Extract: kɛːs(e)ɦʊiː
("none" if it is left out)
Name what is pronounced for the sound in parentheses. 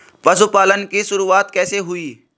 e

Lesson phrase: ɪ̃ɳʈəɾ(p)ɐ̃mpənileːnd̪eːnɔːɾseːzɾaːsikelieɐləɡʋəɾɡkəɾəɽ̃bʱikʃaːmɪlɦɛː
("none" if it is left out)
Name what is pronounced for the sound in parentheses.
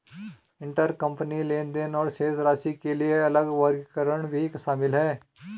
k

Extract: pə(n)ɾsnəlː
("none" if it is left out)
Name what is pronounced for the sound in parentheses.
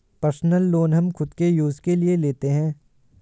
none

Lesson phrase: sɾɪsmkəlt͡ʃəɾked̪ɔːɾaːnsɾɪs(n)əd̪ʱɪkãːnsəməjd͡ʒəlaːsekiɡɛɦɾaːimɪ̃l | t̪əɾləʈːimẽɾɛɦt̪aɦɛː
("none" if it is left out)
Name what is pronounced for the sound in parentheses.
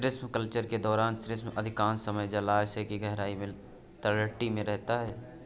m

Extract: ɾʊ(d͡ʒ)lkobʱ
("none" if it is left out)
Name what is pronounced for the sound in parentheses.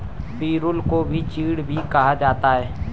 none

